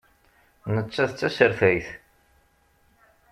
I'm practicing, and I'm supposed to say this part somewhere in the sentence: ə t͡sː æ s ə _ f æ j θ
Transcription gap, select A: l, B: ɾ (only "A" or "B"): B